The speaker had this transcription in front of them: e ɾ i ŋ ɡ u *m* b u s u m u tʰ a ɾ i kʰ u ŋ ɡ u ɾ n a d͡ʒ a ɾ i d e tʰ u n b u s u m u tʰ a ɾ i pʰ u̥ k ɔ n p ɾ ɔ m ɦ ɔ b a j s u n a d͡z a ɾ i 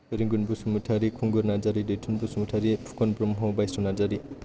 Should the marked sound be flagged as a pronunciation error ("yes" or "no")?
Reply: yes